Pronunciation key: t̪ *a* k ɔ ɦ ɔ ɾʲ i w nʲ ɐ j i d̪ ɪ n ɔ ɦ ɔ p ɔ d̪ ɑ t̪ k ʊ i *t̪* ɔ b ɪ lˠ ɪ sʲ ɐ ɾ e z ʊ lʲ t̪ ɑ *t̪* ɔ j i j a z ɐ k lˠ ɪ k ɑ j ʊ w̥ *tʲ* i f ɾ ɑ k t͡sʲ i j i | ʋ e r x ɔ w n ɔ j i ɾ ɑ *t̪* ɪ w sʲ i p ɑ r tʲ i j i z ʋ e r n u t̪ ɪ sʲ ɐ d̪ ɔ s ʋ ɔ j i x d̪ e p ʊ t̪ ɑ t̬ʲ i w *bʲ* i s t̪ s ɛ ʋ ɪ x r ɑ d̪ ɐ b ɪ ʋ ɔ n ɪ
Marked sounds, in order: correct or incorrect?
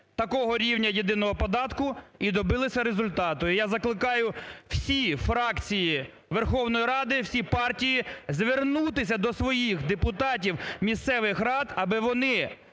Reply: incorrect: ɐ, incorrect: d̪, correct, incorrect: sʲ, incorrect: d̪, incorrect: mʲ

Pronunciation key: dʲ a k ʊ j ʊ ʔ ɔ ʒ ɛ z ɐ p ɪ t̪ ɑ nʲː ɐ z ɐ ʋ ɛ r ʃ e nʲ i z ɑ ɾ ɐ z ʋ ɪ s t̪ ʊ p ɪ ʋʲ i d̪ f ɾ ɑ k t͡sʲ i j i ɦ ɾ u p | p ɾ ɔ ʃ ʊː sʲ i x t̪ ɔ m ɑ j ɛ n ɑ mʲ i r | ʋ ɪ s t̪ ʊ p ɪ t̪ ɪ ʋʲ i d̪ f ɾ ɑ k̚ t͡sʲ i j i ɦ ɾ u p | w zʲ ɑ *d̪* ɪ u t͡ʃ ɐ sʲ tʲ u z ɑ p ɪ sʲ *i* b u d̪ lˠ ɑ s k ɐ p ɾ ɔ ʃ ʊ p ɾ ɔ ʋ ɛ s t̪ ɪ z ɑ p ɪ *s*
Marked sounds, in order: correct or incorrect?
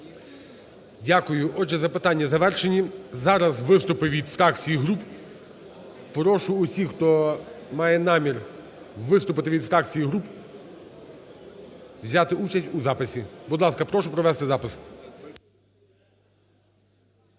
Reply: incorrect: t̪, correct, correct

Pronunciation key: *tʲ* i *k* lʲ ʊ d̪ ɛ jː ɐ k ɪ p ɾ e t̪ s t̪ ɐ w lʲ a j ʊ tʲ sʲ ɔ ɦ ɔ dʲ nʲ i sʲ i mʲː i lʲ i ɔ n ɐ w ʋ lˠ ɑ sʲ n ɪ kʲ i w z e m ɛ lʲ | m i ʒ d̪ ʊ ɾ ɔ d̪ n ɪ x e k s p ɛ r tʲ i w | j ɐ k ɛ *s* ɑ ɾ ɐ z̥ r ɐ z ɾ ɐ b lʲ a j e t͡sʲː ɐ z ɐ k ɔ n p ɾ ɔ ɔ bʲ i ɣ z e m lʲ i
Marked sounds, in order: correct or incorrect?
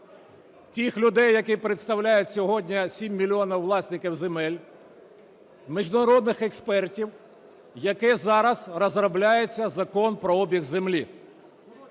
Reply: correct, incorrect: x, incorrect: z

